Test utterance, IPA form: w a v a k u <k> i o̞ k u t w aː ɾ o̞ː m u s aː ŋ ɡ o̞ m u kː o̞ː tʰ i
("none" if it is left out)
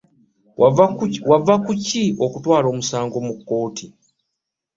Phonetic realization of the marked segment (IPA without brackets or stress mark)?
c